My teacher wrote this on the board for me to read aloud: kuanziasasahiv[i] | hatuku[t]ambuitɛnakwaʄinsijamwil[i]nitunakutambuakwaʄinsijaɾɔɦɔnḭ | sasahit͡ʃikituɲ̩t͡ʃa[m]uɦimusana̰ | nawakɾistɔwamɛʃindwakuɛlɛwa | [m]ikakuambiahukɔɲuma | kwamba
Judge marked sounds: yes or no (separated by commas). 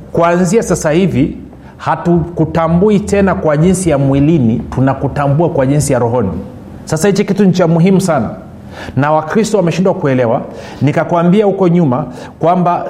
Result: yes, yes, yes, yes, no